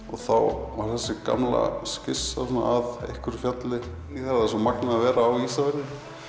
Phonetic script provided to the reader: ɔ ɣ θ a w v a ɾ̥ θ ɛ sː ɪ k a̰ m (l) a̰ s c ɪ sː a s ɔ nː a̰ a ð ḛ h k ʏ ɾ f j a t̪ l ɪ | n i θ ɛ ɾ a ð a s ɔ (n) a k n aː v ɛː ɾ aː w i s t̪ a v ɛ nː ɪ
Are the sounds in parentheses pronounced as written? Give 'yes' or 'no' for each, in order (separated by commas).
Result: yes, no